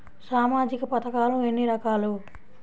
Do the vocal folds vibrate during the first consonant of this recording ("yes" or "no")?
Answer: no